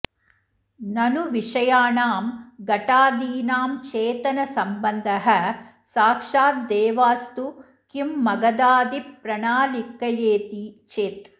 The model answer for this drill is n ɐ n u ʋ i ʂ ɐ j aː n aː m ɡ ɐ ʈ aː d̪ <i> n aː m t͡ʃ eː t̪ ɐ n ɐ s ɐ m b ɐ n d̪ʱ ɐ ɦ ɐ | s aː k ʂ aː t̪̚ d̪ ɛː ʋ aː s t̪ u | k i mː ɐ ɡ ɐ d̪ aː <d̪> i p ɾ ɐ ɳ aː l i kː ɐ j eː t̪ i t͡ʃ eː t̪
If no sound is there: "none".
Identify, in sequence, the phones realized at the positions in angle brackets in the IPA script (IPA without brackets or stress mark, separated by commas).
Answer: iː, d̪